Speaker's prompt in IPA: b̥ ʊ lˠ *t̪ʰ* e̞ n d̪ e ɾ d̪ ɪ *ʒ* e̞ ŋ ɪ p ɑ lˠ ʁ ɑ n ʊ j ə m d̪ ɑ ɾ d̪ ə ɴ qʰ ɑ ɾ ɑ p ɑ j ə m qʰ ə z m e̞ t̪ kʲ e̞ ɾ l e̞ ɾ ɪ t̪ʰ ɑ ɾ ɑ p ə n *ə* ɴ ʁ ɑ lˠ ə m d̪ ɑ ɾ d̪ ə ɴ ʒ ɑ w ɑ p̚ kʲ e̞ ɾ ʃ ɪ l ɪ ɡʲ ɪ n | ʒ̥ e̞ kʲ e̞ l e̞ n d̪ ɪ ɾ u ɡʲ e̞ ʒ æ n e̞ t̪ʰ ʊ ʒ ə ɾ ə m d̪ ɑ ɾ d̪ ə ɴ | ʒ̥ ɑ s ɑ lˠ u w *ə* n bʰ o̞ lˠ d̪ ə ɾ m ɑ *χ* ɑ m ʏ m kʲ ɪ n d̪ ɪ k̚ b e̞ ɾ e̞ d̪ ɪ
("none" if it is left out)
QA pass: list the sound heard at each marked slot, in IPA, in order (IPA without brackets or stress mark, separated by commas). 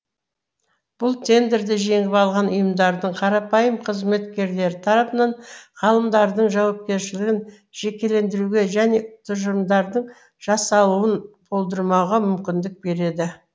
t̪ʰ, ʒ, ɑ, ə, ʁ